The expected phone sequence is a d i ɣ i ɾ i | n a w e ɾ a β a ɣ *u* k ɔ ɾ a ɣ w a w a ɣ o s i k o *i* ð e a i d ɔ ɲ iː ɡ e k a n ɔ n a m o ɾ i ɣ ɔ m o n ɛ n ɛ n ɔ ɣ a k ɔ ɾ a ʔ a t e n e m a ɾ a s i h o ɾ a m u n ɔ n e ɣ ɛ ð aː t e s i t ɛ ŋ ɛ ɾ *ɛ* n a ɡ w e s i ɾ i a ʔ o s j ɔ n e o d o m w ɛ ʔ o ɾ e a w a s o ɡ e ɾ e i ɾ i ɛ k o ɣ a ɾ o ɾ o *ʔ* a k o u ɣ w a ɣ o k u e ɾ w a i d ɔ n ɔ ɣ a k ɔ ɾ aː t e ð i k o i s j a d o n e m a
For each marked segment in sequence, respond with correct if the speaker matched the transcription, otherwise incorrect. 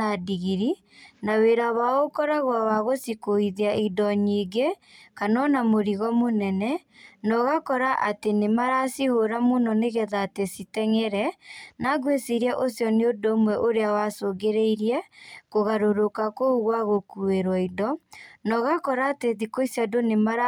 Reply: incorrect: o, correct, correct, incorrect: k

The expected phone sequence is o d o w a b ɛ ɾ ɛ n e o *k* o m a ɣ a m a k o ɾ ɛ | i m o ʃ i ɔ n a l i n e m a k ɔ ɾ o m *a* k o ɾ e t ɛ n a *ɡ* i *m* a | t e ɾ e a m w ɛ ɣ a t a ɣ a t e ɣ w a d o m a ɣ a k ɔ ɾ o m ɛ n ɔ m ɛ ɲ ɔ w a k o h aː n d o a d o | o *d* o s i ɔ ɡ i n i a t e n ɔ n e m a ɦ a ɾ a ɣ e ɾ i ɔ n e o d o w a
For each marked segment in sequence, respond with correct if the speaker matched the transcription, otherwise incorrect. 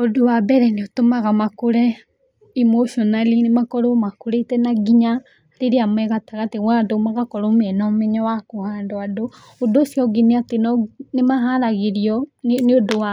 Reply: incorrect: t, correct, correct, incorrect: ɲ, correct

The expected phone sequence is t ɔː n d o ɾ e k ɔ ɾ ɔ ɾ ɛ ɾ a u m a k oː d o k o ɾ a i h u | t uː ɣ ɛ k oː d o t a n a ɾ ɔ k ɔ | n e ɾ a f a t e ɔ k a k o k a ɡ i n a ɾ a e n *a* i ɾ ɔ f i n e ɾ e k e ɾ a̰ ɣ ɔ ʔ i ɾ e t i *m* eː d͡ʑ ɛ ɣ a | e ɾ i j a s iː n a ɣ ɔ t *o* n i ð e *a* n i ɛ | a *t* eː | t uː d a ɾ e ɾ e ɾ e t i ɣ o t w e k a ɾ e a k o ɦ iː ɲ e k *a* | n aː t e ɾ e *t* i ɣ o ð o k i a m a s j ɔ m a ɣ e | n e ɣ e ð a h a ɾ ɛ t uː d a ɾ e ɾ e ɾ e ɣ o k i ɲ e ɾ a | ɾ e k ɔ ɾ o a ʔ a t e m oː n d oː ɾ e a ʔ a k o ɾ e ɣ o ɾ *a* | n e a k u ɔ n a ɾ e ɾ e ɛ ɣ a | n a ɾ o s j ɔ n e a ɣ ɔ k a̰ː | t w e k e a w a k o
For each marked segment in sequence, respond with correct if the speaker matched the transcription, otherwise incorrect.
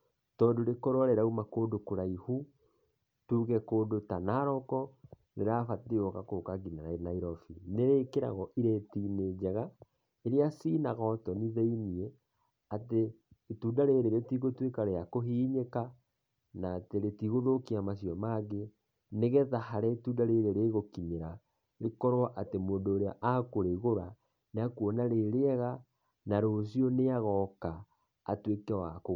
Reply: correct, incorrect: n, incorrect: ɔ, incorrect: i, correct, correct, correct, correct

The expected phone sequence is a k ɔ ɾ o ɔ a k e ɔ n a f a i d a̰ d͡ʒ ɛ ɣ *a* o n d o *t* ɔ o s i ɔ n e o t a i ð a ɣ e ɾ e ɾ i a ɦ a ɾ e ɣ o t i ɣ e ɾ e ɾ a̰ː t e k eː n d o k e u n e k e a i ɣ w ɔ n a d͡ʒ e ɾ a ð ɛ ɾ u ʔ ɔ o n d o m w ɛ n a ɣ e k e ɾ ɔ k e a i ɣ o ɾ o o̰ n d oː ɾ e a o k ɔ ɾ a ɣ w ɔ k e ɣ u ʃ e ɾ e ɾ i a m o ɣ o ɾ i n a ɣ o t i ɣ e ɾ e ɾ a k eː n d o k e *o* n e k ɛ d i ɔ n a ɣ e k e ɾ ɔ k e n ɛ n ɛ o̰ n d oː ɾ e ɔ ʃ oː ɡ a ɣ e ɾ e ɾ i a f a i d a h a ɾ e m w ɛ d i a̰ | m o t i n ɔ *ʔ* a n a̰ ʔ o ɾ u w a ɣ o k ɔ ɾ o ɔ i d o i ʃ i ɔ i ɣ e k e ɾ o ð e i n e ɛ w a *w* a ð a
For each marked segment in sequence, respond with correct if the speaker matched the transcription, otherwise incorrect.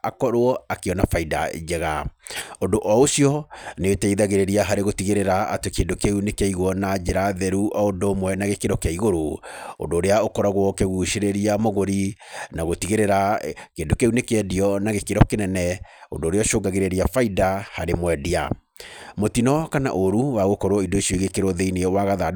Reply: correct, incorrect: ʔ, incorrect: u, incorrect: k, incorrect: ɣ

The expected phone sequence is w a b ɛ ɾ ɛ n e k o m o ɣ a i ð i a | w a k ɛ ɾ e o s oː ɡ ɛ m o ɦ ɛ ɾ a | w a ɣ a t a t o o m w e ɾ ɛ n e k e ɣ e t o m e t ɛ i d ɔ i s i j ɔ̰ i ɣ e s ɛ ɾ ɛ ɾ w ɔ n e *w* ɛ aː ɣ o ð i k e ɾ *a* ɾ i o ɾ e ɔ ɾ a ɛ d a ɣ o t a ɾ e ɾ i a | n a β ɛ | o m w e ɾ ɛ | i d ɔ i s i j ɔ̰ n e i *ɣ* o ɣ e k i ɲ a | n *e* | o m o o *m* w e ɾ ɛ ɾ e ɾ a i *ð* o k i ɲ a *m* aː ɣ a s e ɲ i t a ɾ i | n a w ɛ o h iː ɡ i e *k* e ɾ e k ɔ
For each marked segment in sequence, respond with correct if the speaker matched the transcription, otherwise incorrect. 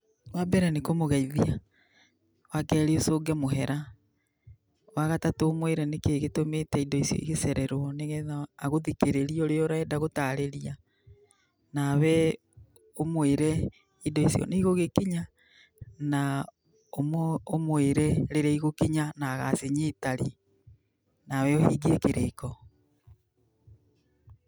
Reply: incorrect: ɣ, incorrect: e, correct, incorrect: a, correct, incorrect: ɣ, incorrect: n, correct

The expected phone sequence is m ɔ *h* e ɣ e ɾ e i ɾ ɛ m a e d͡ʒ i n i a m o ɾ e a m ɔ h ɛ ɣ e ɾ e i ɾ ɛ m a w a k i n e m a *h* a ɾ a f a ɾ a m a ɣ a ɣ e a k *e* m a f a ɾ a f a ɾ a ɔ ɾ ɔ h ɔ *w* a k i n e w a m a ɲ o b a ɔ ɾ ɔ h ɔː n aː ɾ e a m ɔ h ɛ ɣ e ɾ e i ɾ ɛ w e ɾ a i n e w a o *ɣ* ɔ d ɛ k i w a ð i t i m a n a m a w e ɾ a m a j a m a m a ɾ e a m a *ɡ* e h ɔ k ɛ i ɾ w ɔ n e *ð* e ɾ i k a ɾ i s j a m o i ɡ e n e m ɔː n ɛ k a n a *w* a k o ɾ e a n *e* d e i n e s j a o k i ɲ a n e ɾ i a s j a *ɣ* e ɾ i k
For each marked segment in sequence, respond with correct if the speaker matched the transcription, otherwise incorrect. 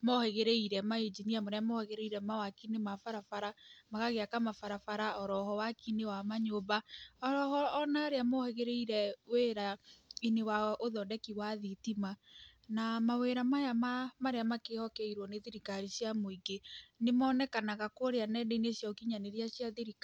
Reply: correct, incorrect: f, incorrect: a, correct, incorrect: ð, incorrect: k, correct, incorrect: ɣ, incorrect: ɛ, incorrect: ð

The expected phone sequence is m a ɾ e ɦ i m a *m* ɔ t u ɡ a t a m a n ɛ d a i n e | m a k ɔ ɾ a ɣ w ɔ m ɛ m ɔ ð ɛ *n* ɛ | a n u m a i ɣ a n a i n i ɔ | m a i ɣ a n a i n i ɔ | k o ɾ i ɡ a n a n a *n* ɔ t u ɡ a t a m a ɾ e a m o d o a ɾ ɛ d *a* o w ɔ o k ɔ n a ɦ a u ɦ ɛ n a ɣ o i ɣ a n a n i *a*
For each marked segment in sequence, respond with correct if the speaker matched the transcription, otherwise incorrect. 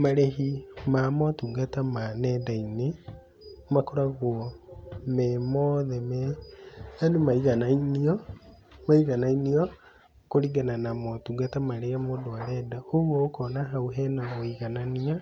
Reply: correct, incorrect: m, incorrect: m, correct, correct

